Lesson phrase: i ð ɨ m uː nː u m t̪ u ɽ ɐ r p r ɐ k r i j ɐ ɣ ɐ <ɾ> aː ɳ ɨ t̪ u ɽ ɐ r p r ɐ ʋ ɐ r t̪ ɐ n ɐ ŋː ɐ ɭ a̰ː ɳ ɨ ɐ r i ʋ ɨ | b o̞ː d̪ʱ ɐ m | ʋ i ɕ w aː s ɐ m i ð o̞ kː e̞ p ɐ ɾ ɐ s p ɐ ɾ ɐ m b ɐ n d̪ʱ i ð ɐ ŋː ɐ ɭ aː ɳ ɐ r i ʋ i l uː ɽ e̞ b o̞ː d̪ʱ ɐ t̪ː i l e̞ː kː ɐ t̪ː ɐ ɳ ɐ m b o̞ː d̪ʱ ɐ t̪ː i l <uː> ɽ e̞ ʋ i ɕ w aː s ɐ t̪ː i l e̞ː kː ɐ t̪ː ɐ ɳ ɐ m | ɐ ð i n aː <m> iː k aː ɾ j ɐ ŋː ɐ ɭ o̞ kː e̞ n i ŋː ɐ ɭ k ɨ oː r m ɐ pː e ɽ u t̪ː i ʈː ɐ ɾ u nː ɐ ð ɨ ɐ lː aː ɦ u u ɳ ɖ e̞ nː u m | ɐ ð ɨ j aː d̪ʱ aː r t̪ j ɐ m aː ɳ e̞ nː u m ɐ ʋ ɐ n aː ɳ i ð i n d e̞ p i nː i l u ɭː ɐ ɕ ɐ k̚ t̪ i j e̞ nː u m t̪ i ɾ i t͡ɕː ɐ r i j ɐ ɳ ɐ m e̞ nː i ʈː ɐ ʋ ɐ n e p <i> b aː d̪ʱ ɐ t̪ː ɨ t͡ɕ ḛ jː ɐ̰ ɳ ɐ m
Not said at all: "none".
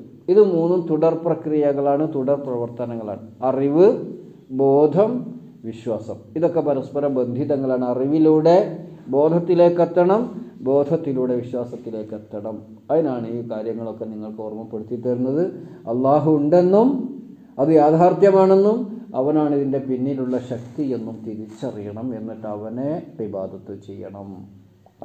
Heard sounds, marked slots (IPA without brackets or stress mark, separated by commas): ɭ, uː, ɳ, i